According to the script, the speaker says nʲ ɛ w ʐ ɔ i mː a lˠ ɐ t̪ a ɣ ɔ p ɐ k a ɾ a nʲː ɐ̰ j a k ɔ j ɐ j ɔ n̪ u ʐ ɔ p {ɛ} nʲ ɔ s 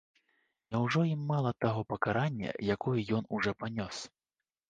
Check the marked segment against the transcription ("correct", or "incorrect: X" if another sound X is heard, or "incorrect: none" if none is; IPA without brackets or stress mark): incorrect: a